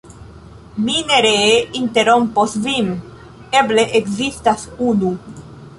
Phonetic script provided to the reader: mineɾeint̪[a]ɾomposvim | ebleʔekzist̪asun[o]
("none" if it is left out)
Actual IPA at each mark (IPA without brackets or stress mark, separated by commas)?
e, u